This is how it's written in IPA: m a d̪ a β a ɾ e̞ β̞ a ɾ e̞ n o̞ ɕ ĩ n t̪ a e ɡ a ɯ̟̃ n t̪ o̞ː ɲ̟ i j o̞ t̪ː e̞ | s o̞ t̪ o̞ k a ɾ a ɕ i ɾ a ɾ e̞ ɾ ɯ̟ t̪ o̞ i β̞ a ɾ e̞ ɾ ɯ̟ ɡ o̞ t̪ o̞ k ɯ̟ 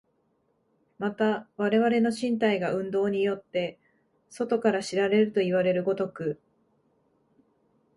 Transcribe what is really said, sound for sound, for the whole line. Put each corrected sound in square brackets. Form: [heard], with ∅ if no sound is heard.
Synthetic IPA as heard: m a [t̪] a β a ɾ e̞ β̞ a ɾ e̞ n o̞ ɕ ĩ n t̪ a [i] ɡ a ɯ̟̃ n [d̪] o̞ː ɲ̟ i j o̞ t̪ː e̞ | s o̞ t̪ o̞ k a ɾ a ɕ i ɾ a ɾ e̞ ɾ ɯ̟ t̪ o̞ i β̞ a ɾ e̞ ɾ ɯ̟ ɡ o̞ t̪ o̞ k ɯ̟

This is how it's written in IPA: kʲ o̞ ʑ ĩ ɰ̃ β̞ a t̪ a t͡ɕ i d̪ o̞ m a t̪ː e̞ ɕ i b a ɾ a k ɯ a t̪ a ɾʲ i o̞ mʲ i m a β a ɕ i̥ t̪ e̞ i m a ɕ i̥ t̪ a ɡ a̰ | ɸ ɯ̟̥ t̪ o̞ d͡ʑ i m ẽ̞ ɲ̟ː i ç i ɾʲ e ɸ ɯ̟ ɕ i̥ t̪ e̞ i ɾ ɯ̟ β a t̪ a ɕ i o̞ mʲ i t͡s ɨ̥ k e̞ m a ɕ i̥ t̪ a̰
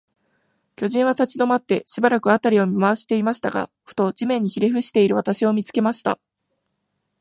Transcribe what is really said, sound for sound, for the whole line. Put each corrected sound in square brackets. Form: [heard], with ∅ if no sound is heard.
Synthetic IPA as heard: kʲ o̞ ʑ ĩ ɰ̃ β̞ a t̪ a t͡ɕ i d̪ o̞ m a t̪ː e̞ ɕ i b a ɾ a k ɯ a t̪ a ɾʲ i o̞ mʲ i m a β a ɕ i̥ t̪ e̞ i m a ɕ i̥ t̪ a ɡ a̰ | ɸ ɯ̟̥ t̪ o̞ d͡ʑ i m ẽ̞ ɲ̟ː i ç i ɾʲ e ɸ ɯ̟ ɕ i̥ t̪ e̞ i ɾ ɯ̟ β a t̪ a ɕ i o̞ mʲ i t͡s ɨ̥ k e̞ m a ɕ i̥ t̪ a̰

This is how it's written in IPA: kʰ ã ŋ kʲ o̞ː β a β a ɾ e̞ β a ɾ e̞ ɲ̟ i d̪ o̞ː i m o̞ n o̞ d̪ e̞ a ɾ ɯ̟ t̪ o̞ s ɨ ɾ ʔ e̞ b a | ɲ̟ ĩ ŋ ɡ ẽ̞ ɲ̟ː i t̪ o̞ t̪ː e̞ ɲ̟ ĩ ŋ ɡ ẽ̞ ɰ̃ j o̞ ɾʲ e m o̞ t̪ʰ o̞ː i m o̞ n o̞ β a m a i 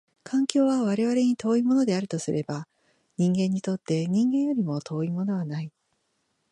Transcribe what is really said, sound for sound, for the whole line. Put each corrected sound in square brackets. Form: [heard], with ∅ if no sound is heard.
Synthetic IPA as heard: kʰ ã ŋ kʲ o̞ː β a β a ɾ e̞ β a ɾ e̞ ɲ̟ i [t̪] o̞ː i m o̞ n o̞ d̪ e̞ a ɾ ɯ̟ t̪ o̞ s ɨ ɾ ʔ e̞ b a | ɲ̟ ĩ ŋ ɡ ẽ̞ ɲ̟ː i t̪ o̞ t̪ː e̞ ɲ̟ ĩ ŋ ɡ ẽ̞ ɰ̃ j o̞ ɾʲ [i] m o̞ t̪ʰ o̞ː i m o̞ n o̞ β a [n] a i

